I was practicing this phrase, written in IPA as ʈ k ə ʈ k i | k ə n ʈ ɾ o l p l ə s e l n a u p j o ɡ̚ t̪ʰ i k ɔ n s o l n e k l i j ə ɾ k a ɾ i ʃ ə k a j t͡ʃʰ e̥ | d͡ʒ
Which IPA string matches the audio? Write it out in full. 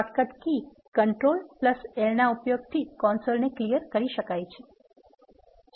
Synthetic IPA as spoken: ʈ k ə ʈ k i | k ə ɳ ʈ ɾ o l p l ə s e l n a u p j o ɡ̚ t̪ʰ i k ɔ n s o l n e k l i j ə ɾ k ə ɾ i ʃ ə k a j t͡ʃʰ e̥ | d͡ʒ